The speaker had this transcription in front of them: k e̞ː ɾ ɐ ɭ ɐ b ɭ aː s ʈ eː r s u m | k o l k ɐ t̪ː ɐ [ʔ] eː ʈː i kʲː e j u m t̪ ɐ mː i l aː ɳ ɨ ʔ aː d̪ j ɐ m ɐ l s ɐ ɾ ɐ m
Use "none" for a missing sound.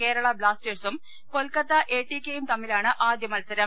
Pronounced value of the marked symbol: ʔ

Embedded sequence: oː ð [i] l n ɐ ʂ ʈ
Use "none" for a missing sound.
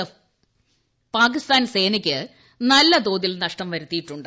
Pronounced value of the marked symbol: i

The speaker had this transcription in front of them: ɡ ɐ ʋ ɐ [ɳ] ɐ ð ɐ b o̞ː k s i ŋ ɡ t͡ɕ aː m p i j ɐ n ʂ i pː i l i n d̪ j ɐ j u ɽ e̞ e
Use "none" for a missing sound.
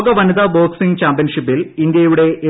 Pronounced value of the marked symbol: n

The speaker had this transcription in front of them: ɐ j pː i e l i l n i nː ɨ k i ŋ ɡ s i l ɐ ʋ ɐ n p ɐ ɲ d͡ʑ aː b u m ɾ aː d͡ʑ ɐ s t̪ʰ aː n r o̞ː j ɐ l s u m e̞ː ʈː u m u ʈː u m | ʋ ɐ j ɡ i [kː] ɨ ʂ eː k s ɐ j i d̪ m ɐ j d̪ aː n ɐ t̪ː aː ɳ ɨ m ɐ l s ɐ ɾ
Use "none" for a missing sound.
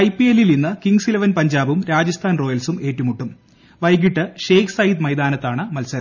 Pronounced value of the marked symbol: ʈː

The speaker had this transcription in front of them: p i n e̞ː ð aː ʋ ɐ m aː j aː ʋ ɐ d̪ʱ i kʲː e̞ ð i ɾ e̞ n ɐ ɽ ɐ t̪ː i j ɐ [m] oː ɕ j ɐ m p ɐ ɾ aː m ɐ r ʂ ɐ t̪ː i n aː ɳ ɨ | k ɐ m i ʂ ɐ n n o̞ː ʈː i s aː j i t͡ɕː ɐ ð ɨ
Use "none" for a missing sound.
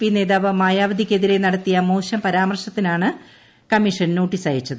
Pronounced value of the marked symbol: m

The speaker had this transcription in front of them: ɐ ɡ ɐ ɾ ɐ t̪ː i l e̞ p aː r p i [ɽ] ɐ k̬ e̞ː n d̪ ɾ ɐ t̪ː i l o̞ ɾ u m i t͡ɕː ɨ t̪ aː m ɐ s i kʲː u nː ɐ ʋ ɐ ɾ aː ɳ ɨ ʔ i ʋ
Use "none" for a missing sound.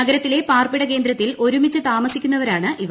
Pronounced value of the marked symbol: ɽ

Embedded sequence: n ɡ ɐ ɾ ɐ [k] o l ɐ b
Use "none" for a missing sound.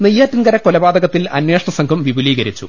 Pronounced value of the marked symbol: k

